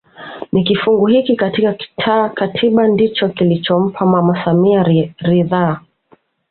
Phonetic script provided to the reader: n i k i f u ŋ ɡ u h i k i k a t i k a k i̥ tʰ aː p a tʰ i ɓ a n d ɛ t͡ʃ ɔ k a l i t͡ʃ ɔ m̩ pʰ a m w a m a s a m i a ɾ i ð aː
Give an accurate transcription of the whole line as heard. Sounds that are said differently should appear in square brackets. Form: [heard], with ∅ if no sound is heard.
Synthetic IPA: n i k i f u ŋ ɡ u h i k i k a t i k a k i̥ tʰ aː [k] a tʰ i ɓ a n d [i] t͡ʃ ɔ k [i] l i t͡ʃ ɔ m̩ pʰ a m w a m a s a m i a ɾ i ð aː